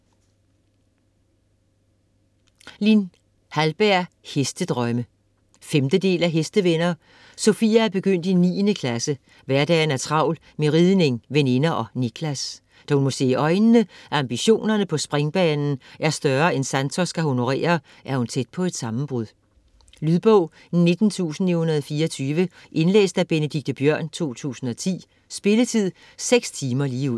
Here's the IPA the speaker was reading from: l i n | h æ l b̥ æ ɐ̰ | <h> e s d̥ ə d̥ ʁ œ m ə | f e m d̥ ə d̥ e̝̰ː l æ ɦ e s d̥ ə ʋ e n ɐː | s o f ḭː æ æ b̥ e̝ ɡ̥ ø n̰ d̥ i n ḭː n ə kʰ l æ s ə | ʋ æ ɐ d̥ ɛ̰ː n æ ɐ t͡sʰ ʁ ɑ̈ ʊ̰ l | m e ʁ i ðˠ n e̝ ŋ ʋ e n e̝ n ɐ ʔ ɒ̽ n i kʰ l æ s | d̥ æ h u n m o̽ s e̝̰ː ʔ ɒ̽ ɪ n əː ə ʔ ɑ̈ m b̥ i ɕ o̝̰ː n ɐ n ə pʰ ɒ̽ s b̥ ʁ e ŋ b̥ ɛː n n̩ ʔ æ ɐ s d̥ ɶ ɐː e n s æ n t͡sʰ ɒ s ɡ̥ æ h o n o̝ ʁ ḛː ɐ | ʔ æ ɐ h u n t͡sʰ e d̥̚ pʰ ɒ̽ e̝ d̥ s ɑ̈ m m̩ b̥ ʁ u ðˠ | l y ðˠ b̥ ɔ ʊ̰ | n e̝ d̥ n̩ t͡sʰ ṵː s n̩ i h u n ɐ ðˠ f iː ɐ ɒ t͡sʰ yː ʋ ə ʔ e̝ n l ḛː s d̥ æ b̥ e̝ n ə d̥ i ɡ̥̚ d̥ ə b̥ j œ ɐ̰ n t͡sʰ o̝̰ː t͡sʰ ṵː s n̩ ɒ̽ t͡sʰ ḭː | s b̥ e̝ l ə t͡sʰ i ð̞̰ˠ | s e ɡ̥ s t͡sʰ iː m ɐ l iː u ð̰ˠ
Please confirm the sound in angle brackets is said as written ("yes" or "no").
yes